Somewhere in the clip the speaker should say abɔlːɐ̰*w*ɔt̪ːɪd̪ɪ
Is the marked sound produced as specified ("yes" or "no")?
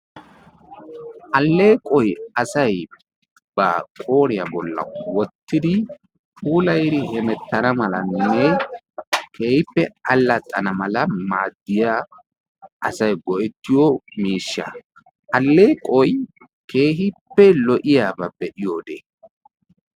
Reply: yes